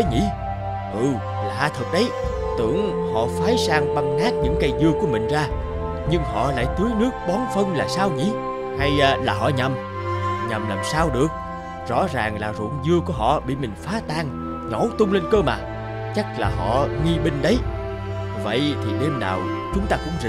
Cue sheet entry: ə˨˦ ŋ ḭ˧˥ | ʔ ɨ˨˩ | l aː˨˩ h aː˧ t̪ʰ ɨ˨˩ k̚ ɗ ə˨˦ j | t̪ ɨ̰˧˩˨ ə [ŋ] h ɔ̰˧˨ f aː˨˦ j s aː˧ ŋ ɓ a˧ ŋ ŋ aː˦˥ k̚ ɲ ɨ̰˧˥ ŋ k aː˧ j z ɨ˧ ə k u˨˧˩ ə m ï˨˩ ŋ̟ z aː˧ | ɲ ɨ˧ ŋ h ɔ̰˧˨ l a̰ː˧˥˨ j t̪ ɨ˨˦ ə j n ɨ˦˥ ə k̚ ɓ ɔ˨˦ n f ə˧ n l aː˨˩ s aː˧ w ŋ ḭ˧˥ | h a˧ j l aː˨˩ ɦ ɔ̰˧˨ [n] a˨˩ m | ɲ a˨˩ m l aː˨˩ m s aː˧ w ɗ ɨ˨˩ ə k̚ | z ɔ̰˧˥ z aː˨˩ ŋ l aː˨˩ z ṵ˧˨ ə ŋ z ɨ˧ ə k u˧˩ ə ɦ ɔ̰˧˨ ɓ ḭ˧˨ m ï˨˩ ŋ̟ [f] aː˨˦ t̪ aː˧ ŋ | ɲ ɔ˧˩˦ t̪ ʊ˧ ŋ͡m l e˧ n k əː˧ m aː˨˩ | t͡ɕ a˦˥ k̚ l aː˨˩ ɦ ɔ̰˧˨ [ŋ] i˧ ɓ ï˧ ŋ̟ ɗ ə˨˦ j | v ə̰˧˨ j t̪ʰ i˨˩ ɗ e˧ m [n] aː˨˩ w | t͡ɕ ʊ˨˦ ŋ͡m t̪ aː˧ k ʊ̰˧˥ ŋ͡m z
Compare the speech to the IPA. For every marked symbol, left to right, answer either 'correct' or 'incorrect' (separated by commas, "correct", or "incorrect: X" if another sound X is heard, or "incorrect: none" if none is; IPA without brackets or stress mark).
correct, incorrect: ɲ, correct, correct, correct